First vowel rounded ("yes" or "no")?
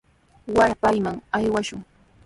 no